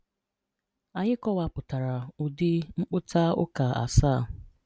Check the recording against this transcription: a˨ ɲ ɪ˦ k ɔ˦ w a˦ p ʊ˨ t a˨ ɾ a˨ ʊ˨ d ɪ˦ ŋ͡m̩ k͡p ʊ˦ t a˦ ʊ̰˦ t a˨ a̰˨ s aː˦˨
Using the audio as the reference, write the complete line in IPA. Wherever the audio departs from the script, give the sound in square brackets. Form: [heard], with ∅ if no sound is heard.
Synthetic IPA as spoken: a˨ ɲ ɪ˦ k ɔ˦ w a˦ p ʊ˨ t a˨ ɾ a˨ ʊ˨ d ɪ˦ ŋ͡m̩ k͡p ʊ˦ t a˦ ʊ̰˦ [k] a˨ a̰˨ s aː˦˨